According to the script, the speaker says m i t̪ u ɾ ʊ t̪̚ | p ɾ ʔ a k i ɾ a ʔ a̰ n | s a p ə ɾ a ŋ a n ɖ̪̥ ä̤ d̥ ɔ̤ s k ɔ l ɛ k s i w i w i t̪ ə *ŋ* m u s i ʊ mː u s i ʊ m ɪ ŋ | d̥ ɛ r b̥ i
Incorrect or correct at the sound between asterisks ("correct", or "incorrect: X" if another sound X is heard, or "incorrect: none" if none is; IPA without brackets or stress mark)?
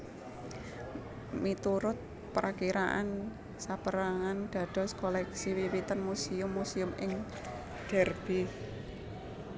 incorrect: n